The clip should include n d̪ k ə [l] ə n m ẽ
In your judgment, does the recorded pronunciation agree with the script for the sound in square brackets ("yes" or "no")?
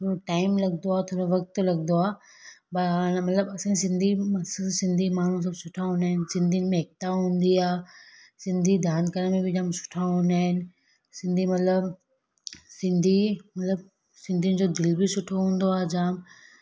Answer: no